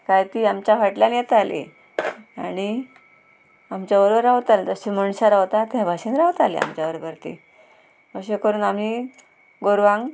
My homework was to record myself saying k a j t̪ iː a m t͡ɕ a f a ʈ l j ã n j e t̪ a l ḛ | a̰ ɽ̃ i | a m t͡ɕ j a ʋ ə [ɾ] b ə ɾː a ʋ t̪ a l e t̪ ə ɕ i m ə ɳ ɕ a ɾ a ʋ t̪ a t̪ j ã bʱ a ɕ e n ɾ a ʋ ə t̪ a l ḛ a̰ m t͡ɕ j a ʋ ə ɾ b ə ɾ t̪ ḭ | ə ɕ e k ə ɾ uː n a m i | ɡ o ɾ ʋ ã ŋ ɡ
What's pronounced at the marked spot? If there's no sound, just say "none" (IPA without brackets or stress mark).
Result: ɾ